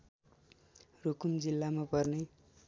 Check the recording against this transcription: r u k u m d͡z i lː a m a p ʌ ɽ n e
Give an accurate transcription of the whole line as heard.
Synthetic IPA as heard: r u k u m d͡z i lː a m a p ʌ r n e